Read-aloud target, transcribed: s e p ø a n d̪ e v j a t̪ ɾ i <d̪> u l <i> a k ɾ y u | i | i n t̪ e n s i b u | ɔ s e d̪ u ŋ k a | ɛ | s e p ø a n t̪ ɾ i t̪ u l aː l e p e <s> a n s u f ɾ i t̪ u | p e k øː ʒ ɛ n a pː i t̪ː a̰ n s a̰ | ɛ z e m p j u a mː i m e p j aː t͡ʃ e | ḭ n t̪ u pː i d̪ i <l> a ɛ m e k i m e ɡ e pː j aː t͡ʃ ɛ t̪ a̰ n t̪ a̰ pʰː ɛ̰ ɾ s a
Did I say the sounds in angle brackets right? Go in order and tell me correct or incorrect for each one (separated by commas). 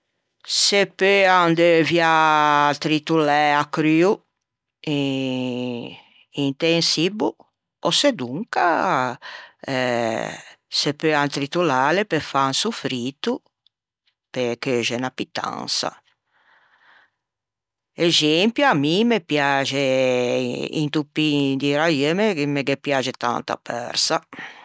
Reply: incorrect, incorrect, incorrect, incorrect